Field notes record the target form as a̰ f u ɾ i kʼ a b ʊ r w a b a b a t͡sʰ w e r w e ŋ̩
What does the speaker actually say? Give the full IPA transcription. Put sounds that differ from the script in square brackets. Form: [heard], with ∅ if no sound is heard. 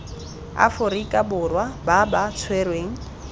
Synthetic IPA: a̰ f [ʊ] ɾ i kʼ a b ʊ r w a b a b a t͡sʰ w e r w e ŋ̩